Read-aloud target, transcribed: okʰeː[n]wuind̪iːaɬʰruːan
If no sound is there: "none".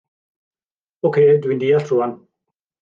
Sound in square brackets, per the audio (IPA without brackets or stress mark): d